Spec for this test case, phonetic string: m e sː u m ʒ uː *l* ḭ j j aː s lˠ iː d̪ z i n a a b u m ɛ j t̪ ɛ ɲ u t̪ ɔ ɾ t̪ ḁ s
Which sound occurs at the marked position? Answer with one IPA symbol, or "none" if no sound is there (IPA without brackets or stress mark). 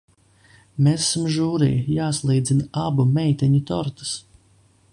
ɾ